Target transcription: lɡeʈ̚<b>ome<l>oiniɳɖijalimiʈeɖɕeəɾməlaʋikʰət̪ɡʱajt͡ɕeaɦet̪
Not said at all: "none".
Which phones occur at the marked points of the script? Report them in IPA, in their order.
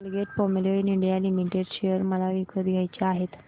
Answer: p, l

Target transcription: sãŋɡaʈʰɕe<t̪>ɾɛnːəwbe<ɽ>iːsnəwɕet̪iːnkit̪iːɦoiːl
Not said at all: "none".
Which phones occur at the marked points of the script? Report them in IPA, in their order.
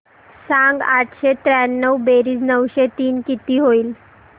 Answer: t̪, ɾ

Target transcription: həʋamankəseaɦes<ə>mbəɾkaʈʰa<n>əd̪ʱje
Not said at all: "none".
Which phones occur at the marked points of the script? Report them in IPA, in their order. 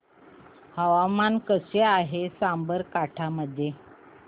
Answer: a, m

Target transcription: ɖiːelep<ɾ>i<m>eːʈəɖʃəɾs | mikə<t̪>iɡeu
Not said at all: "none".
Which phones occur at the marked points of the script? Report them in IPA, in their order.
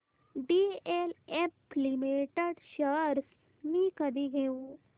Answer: l, m, d̪

